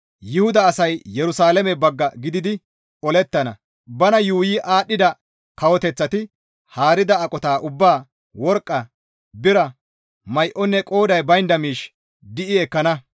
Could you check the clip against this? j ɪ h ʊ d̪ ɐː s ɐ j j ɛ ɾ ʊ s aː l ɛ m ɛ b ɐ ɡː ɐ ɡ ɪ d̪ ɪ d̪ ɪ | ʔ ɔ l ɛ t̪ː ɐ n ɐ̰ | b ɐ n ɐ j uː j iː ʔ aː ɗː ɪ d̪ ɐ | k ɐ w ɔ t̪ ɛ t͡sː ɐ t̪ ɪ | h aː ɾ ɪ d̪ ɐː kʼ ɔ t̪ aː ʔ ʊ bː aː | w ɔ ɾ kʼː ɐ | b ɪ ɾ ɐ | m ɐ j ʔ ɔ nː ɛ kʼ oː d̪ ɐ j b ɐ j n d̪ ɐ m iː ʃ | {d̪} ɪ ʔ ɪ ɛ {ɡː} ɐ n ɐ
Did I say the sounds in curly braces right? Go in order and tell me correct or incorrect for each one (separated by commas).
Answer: correct, incorrect